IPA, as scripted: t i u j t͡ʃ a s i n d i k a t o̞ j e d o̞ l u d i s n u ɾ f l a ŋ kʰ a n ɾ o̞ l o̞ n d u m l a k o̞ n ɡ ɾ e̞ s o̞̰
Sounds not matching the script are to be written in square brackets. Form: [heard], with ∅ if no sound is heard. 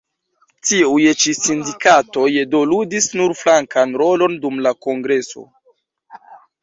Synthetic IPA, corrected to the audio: t i u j t͡ʃ [i] s i n d i k a t o̞ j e d o̞ l u d i s n u ɾ f l a ŋ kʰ a n ɾ o̞ l o̞ n d u m l a k o̞ [ŋ] ɡ ɾ e̞ s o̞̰